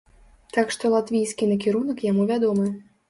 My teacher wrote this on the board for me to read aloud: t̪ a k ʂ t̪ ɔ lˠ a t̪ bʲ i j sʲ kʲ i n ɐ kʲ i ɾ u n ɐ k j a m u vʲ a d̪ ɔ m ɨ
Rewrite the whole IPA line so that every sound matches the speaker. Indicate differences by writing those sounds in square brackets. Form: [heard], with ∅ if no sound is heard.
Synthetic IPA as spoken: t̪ a k ʂ t̪ ɔ lˠ a t̪ [vʲ] i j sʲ kʲ i n ɐ kʲ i ɾ u n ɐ k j a m u vʲ a d̪ ɔ m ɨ